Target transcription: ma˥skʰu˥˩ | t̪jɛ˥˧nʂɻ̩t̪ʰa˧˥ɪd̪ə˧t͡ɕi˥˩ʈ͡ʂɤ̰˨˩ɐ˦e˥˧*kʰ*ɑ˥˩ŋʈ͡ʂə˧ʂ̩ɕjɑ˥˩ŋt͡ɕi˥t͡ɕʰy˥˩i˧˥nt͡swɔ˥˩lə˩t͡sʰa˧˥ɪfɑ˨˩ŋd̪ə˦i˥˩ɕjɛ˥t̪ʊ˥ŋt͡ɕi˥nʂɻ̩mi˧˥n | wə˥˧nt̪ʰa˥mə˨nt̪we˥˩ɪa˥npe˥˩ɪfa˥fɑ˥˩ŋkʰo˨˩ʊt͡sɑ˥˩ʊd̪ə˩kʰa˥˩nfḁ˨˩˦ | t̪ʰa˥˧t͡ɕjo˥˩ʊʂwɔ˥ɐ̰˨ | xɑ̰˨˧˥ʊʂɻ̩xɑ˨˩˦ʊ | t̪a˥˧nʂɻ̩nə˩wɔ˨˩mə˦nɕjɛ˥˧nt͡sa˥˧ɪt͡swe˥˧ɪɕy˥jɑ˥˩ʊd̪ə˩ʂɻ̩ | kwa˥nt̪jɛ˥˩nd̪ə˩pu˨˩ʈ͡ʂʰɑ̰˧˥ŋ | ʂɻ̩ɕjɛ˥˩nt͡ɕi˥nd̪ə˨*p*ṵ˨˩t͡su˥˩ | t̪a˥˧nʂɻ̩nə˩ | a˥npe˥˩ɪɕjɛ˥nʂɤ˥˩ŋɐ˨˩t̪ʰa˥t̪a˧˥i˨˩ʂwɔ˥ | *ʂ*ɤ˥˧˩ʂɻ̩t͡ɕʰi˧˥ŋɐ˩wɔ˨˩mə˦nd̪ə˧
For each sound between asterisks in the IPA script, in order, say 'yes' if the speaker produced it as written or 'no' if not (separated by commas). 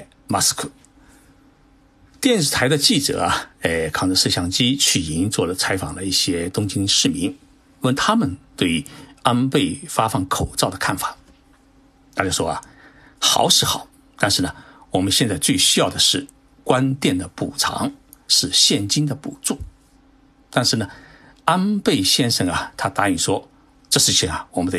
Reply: yes, yes, no